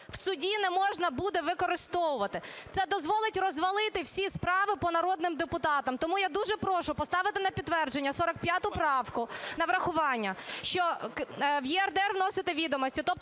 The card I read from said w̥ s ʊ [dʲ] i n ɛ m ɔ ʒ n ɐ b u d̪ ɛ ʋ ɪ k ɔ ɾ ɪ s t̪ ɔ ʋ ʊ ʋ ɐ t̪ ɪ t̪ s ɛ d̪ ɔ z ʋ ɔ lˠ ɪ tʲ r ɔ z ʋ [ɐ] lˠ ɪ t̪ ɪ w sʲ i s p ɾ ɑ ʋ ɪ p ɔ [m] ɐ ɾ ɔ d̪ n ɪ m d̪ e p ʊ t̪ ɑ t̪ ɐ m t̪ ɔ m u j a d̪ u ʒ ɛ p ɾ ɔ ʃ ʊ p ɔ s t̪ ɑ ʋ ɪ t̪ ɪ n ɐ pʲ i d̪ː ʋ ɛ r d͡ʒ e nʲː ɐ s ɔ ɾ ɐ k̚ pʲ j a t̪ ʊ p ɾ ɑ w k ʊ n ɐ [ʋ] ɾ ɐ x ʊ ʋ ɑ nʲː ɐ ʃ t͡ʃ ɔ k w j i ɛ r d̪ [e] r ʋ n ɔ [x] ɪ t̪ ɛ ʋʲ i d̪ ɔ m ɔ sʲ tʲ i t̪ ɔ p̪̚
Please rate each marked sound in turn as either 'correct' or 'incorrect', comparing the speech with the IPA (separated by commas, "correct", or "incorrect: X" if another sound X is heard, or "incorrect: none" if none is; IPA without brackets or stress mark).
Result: correct, correct, incorrect: n, correct, incorrect: ɛ, incorrect: s